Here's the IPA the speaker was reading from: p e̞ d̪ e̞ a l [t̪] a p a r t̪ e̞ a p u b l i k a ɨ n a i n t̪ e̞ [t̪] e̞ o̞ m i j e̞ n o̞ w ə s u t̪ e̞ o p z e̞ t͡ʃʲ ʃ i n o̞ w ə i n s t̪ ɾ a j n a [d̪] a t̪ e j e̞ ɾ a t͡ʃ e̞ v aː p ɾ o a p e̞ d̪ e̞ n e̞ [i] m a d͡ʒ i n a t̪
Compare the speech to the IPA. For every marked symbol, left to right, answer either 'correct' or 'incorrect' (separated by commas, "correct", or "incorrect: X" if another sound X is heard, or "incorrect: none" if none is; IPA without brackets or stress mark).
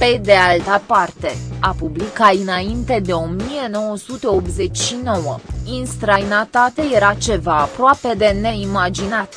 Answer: correct, incorrect: d̪, incorrect: t̪, correct